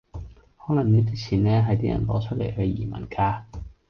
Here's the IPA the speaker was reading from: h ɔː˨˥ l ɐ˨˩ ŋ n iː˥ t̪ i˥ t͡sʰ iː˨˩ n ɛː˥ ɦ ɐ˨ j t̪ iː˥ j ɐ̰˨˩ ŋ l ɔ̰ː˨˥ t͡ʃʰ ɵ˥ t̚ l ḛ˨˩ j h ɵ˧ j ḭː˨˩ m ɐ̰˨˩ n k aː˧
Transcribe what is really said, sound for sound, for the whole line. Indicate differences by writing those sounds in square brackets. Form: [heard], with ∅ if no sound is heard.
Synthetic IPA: h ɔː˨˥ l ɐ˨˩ ŋ n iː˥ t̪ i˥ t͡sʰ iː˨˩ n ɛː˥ ɦ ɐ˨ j t̪ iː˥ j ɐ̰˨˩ [n] l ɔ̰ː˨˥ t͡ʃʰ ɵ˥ t̚ l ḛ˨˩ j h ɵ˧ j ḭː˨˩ m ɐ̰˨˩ n k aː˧